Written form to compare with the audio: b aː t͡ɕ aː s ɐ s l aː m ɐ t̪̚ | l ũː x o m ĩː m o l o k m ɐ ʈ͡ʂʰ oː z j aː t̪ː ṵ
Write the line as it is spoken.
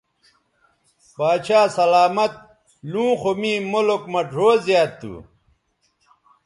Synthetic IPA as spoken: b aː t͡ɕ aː s ɐ l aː m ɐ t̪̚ | l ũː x o m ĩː m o l o k m ɐ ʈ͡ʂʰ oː z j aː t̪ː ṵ